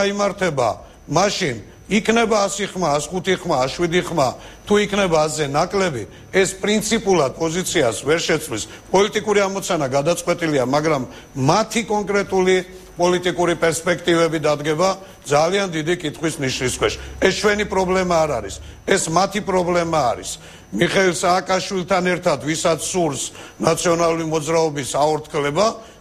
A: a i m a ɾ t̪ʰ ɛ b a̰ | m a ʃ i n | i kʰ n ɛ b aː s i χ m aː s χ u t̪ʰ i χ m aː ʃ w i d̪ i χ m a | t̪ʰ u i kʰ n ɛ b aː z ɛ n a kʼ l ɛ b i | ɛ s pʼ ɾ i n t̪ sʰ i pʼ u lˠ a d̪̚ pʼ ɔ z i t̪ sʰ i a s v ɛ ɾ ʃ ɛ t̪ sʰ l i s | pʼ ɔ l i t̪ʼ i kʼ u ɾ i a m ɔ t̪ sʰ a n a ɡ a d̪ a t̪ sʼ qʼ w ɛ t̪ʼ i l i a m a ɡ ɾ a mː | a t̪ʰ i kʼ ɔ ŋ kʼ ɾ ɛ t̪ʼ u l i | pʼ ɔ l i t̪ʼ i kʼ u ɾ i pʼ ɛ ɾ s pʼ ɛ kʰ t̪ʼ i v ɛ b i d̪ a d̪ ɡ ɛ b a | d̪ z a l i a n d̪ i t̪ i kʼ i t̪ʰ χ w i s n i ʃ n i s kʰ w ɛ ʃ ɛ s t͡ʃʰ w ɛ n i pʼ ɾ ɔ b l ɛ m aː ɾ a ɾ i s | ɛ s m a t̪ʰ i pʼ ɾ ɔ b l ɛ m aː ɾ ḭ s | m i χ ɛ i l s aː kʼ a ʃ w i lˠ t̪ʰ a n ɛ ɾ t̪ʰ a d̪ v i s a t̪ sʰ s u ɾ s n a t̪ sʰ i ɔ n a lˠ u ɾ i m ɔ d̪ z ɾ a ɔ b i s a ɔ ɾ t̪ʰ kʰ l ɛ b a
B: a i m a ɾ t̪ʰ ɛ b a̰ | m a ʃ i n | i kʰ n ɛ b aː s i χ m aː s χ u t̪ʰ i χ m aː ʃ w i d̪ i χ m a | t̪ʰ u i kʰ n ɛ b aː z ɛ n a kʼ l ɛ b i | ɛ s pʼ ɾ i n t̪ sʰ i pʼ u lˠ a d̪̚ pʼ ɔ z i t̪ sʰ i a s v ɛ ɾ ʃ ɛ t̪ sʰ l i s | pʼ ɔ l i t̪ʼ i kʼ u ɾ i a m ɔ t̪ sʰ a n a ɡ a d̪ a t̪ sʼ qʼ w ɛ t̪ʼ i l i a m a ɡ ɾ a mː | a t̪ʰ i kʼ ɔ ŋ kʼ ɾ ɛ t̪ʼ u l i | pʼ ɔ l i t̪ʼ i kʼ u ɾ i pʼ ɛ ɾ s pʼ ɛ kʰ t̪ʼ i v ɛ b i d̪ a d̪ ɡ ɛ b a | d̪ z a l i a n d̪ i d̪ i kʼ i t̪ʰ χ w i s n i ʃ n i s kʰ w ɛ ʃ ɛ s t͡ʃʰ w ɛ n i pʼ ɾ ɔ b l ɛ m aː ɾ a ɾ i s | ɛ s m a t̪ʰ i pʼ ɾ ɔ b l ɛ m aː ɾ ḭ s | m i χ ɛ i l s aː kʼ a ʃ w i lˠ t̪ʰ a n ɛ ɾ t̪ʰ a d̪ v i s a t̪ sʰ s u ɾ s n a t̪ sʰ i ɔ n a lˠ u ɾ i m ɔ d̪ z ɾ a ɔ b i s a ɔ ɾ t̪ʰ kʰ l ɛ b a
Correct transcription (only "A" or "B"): B